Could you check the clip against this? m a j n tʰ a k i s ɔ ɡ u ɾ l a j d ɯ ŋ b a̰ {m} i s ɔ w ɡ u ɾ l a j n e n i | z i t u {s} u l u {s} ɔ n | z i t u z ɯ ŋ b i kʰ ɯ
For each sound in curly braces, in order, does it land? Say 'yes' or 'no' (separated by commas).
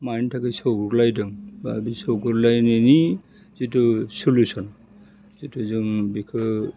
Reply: no, yes, yes